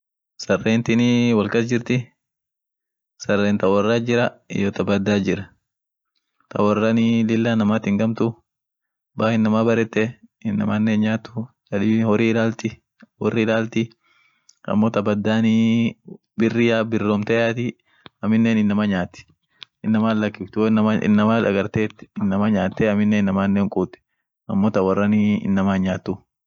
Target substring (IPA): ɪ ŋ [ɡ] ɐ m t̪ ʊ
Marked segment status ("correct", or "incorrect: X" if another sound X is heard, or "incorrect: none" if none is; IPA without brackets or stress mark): correct